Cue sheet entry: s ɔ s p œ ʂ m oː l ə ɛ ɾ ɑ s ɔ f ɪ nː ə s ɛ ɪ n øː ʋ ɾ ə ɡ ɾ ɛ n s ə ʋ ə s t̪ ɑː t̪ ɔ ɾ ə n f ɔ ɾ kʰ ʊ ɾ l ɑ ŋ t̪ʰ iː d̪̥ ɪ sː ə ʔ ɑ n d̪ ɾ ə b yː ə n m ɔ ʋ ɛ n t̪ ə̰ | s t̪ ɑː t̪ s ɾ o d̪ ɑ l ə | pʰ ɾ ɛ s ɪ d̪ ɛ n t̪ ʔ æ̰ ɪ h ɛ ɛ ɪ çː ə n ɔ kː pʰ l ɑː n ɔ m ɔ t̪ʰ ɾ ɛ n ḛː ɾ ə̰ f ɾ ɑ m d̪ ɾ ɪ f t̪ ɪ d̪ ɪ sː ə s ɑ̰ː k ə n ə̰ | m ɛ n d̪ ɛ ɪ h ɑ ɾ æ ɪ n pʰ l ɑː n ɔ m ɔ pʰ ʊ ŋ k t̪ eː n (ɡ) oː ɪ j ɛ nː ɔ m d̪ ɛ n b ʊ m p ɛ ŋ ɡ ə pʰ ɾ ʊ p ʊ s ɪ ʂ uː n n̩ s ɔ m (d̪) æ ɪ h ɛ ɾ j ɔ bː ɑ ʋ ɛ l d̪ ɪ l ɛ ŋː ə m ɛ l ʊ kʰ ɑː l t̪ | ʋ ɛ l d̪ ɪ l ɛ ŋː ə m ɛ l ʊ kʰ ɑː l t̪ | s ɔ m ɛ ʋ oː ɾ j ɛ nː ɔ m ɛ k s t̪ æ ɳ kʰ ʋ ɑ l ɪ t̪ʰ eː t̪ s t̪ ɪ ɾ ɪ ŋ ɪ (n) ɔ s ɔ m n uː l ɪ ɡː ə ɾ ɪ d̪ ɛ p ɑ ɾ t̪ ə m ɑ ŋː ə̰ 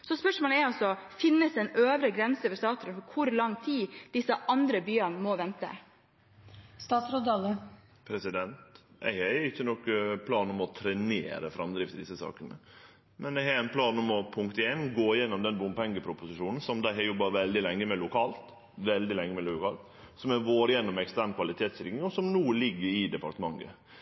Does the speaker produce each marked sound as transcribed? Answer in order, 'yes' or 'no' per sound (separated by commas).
yes, yes, no